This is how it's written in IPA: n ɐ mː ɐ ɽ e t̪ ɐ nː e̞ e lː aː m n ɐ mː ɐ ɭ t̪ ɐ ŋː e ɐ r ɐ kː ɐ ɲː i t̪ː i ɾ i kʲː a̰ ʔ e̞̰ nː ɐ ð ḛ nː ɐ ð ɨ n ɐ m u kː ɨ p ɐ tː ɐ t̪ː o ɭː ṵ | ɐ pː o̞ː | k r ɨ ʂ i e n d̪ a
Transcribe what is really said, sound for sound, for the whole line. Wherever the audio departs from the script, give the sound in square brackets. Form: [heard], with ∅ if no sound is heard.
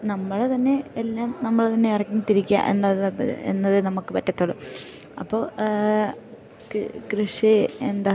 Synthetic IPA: n ɐ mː ɐ [ɭ] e t̪ ɐ nː e̞ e lː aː m n ɐ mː ɐ ɭ t̪ ɐ [nː] e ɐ r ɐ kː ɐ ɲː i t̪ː i ɾ i kʲː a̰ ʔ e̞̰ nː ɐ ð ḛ nː ɐ ð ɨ n ɐ m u kː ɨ p ɐ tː ɐ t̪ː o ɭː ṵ | ɐ pː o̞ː | k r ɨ ʂ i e n d̪ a